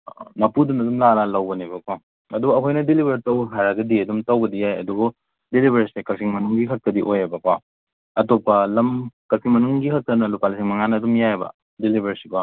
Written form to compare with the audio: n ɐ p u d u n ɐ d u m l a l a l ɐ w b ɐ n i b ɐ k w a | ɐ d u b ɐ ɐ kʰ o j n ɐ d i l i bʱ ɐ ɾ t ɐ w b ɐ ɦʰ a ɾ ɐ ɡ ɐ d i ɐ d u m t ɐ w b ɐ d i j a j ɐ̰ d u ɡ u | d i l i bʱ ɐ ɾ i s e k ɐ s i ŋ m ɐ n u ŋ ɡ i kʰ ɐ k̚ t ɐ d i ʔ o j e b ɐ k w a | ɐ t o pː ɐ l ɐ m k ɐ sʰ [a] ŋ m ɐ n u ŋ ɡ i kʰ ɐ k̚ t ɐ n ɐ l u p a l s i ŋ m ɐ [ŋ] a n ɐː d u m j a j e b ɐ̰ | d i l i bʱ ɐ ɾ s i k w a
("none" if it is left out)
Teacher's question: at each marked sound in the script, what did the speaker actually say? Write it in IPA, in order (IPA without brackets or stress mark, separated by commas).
i, ŋ